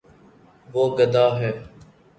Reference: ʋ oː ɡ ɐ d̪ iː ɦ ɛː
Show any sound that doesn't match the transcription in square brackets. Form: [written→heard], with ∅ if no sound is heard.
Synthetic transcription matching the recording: ʋ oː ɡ [ɐ→ə] d̪ [iː→aː] ɦ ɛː

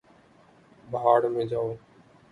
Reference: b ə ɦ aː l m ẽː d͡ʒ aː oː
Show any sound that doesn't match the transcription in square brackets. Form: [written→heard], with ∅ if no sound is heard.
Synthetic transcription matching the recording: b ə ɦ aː [l→ɽ] m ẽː d͡ʒ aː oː

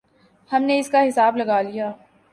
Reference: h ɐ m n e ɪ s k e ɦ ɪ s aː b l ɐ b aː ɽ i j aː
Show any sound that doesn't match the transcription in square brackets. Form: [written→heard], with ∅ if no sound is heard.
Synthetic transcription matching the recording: h ɐ m n e ɪ s k [e→a] ɦ ɪ s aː b l ɐ [b→ɡ] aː [ɽ→l] i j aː

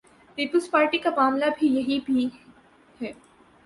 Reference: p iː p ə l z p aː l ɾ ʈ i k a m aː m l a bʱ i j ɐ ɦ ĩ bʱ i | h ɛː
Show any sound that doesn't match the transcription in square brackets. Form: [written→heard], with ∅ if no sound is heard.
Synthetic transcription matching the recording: p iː p ə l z p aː [l→∅] ɾ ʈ i k a m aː m l a bʱ i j ɐ ɦ [ĩ→i] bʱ i | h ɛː

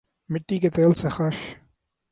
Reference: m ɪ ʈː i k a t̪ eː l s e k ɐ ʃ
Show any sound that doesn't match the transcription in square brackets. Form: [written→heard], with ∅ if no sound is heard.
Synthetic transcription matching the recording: m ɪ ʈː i k [a→e] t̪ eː l s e [k→x] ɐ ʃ

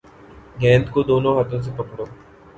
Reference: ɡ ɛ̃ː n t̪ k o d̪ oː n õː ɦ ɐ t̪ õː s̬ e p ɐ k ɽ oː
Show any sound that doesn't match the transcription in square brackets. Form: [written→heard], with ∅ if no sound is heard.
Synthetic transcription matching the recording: ɡ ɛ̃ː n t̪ k o d̪ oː n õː ɦ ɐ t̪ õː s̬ e p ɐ k ɽ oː

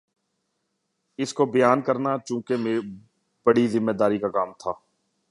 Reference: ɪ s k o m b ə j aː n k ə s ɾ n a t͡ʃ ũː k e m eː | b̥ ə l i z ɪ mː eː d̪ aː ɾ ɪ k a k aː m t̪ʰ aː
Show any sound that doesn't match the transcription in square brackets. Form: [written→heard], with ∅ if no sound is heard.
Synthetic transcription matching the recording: ɪ s k o [m→∅] b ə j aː n k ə [s→∅] ɾ n a t͡ʃ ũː k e m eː | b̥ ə [l→ɽ] i z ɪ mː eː d̪ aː ɾ [ɪ→i] k a k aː m t̪ʰ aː

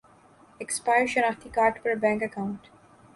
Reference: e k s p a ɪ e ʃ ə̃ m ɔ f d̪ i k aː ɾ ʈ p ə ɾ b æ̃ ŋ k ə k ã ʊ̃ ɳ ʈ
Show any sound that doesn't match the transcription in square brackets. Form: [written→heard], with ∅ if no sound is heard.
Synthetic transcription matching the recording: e k s p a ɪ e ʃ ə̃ [m→n] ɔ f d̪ i k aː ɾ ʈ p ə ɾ b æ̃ ŋ k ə k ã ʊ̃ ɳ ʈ

